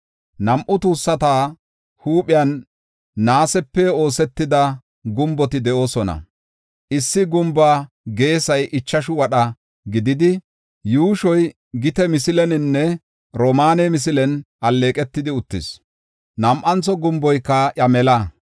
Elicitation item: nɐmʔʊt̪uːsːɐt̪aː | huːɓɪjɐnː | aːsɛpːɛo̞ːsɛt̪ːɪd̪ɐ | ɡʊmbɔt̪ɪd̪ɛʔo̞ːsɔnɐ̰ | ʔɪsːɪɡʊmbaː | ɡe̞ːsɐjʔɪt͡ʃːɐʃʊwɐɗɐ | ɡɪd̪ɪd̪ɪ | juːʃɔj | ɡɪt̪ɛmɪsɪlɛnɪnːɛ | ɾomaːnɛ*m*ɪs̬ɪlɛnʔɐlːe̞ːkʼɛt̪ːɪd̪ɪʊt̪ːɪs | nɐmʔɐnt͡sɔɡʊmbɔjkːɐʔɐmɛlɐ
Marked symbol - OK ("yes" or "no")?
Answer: yes